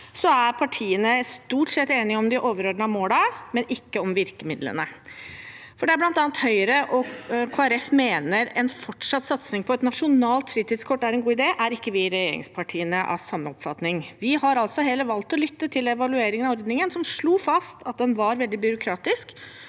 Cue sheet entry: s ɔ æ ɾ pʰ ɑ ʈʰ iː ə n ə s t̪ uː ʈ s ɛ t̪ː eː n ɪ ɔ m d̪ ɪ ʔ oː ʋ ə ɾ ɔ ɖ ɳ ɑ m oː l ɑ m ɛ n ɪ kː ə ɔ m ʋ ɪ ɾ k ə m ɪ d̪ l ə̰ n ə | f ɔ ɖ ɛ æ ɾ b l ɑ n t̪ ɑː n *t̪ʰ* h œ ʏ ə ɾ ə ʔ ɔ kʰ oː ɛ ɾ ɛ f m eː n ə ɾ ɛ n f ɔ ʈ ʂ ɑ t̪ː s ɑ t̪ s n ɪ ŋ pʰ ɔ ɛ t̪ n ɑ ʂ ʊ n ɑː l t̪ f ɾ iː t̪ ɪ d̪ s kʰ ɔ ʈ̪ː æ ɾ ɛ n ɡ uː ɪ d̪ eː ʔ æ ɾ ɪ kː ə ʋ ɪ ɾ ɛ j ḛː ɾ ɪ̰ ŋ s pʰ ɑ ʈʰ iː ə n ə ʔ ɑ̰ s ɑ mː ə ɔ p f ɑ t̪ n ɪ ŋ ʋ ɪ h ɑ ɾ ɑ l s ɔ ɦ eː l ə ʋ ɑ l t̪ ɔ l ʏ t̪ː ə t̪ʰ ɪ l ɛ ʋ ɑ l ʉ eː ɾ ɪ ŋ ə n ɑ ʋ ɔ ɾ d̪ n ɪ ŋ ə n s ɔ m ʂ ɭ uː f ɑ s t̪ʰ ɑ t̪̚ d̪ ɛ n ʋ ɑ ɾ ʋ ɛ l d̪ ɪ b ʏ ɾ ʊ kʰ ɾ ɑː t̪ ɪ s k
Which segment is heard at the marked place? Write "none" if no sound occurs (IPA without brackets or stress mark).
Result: t̪